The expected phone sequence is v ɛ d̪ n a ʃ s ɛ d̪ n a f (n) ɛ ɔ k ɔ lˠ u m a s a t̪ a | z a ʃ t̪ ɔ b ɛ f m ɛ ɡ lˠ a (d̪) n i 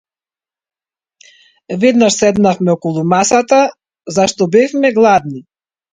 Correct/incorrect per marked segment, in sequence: incorrect, correct

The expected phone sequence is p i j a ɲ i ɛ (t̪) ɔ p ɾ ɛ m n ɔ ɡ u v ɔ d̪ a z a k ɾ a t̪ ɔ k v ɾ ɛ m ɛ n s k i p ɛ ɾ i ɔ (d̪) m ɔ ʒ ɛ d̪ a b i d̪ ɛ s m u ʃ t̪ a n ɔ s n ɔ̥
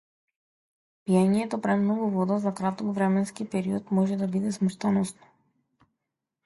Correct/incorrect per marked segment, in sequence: correct, incorrect

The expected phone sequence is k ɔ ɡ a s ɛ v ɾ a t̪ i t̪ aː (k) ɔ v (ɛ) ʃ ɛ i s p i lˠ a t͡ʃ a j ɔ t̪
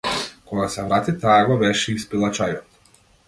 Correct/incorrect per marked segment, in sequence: incorrect, correct

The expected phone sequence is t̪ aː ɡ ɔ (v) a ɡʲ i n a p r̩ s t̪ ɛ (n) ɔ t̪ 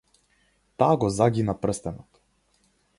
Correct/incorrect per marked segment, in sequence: incorrect, correct

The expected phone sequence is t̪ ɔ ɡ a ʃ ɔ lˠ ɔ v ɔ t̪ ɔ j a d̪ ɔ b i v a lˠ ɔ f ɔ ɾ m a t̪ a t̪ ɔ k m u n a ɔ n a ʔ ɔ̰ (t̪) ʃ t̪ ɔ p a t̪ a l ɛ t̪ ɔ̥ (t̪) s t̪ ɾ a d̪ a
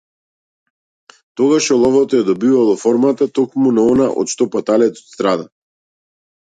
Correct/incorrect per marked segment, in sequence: correct, correct

